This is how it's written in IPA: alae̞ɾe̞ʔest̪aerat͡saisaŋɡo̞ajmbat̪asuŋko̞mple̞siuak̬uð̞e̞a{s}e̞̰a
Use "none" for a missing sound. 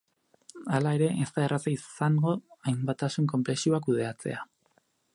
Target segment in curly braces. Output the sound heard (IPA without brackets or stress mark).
t͡s